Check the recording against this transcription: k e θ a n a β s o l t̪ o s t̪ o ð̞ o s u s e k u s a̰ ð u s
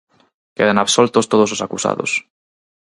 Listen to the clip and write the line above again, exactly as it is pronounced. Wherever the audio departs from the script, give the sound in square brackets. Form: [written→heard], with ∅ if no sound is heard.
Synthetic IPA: k e [θ→ð] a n a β s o l t̪ o s t̪ o ð̞ o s [u→o] s [e→a] k u s a̰ ð [u→o] s